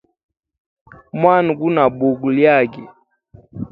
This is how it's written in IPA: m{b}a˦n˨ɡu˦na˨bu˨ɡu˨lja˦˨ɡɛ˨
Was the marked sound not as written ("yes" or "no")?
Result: yes